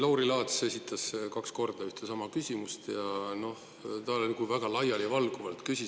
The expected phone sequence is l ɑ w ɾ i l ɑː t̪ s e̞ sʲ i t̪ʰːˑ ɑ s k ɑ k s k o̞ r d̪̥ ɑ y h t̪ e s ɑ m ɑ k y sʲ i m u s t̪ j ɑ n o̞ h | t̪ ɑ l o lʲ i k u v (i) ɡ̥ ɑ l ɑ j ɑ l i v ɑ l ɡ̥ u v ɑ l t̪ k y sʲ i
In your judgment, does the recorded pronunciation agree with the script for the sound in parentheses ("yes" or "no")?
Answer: no